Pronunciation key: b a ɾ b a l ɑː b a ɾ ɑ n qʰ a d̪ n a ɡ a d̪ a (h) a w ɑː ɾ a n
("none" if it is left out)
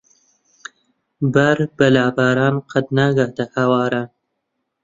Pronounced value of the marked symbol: h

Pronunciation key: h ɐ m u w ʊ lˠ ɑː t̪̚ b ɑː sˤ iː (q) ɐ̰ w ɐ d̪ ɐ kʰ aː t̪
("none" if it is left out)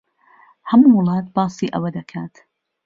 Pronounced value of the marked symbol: ʔ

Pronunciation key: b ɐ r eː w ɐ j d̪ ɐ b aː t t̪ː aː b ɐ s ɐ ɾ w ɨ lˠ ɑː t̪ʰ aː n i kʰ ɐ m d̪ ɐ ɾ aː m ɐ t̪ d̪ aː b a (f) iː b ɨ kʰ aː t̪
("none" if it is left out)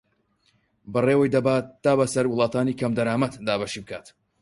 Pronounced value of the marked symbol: ʃ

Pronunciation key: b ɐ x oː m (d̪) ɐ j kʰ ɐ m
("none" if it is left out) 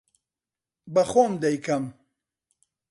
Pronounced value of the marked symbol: d̪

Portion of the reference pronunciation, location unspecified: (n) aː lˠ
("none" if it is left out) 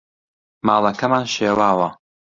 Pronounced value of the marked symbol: m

